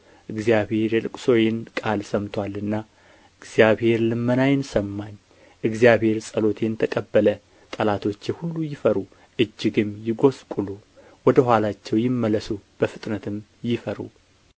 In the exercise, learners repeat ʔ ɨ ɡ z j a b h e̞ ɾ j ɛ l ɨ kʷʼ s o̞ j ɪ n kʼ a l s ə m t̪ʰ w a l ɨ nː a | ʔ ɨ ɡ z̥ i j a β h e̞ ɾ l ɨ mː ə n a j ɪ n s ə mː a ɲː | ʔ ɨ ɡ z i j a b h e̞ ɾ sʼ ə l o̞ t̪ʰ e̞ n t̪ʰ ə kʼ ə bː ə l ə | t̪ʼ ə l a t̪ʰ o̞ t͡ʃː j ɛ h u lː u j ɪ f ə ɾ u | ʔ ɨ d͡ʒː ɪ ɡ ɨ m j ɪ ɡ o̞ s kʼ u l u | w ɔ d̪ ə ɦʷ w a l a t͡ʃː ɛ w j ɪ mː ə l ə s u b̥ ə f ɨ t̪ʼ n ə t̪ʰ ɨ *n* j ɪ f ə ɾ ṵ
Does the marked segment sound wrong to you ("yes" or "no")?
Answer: yes